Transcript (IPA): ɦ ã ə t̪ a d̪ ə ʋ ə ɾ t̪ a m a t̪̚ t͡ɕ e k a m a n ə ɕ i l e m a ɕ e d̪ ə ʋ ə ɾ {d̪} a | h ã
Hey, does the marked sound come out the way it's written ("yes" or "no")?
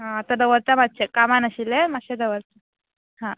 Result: no